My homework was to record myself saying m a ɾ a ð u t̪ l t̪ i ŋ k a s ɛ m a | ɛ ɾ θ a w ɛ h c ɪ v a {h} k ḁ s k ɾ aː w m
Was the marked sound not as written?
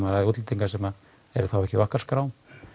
no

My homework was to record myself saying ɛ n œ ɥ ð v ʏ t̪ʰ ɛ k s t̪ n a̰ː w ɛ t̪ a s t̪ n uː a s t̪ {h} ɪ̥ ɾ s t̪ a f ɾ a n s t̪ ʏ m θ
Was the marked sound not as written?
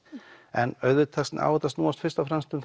yes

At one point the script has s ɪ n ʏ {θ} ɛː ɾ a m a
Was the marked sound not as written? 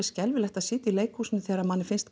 no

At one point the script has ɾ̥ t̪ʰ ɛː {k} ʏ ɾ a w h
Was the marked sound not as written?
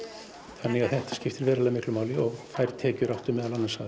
yes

